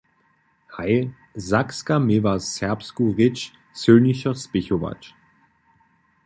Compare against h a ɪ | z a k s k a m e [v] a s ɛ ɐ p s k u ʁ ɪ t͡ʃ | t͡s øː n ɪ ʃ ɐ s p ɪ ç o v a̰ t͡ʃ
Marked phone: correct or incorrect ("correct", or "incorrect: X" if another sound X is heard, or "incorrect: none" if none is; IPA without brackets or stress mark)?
correct